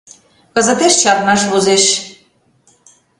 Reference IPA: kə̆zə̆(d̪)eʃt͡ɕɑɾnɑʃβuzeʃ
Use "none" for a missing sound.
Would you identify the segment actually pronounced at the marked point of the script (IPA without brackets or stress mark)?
t̪